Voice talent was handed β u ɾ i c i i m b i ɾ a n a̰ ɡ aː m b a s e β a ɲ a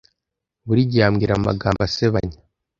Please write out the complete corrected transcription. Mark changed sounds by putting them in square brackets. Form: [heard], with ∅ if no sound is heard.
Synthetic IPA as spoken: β u ɾ i [ɟ] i [a] m [ɡ] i ɾ a [m] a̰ ɡ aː m b a s e β a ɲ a

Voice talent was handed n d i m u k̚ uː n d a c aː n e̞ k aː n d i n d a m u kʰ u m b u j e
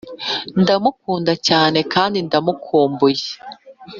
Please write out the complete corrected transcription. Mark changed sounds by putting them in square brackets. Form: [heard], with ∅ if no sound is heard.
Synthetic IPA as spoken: n d [a] m u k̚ uː n d a c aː n e̞ k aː n d i n d a m u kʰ [uː] m b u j e

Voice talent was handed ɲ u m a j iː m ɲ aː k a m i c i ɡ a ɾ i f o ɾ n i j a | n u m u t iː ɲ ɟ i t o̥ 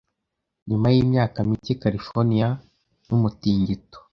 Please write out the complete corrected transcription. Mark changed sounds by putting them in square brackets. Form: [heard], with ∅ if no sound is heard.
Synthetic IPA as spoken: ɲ u m a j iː m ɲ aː k a m i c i [k] a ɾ i f o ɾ n i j a | n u m u t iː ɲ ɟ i t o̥

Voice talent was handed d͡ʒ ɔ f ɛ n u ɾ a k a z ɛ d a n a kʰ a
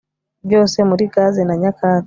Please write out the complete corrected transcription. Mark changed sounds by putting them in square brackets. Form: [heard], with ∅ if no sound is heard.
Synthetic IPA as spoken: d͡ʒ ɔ [s] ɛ [m] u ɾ [i] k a z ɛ [n] a [ɲ] a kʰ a

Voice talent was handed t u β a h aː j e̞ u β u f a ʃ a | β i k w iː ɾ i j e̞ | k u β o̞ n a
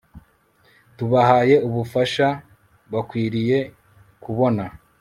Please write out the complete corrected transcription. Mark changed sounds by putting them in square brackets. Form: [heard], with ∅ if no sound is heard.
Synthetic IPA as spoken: t u β a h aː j e̞ u β u f a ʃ a | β [a] k w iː ɾ i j e̞ | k u β o̞ n a

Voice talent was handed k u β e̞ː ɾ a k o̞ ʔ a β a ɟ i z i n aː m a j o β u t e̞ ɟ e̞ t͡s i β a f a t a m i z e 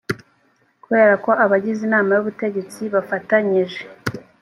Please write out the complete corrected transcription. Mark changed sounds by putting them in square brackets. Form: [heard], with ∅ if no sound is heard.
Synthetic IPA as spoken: k u β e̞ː ɾ a k o̞ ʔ a β a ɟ i z i n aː m a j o β u t e̞ ɟ e̞ t͡s i β a f a t a [ɲ] i [ʒ] e

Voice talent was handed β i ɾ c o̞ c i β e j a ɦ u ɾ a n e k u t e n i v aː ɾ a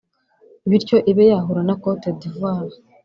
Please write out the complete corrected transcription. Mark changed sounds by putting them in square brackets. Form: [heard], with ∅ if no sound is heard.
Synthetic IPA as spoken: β i ɾ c o̞ [ʔ] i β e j a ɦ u ɾ a n [a] k [o] t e [d] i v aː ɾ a

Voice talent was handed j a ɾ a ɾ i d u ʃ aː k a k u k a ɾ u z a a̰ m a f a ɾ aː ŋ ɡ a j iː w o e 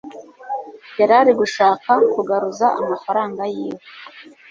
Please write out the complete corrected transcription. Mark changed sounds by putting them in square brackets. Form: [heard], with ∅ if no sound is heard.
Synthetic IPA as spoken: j a ɾ a ɾ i [ɡ] u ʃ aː k a k u [ɡ] a ɾ u z a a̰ m a f a ɾ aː ŋ ɡ a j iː w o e

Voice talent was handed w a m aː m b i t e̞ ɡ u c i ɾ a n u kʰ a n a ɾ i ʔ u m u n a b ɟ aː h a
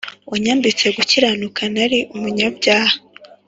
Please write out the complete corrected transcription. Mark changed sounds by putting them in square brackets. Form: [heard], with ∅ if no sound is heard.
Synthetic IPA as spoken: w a [ɲ] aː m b i [t͡s] e̞ ɡ u c i ɾ a n u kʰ a n a ɾ i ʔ u m u [ɲ] a b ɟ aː h a

